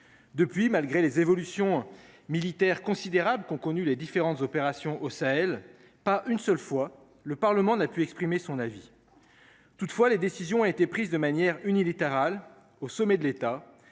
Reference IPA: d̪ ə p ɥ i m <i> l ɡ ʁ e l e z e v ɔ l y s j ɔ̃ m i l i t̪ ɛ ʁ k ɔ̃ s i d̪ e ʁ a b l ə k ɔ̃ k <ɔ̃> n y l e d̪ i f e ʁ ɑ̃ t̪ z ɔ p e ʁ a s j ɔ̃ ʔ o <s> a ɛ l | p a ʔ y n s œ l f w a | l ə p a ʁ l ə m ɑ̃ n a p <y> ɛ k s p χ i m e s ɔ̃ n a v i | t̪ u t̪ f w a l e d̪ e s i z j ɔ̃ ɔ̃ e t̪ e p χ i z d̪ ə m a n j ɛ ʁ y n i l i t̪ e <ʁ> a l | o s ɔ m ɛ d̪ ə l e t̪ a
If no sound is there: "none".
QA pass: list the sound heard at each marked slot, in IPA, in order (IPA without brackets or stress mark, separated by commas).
a, ɔ, s, y, ʁ